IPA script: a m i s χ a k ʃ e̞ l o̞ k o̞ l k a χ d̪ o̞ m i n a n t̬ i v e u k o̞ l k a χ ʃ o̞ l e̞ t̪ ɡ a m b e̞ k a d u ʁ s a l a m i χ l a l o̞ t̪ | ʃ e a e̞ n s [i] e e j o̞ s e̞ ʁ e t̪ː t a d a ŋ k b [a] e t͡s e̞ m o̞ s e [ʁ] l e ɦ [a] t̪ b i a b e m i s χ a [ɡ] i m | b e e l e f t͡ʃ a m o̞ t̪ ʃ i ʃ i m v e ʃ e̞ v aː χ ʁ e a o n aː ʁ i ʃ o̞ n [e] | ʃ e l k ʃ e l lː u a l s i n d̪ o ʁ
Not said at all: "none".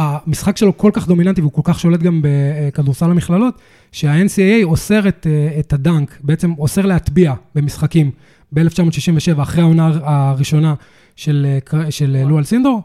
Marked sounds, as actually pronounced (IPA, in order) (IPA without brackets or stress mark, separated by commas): i, e, ʁ, a, k, a